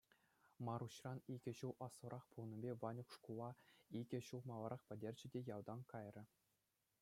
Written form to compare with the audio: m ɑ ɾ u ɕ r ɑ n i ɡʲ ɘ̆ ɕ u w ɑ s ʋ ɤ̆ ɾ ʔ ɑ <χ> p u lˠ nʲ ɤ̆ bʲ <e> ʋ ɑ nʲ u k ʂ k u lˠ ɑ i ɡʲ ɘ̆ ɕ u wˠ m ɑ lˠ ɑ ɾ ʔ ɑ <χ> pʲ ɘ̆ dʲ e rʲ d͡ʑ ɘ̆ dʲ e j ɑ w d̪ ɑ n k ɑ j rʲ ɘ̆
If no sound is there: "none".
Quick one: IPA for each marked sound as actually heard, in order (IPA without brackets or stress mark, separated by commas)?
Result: χ, e, χ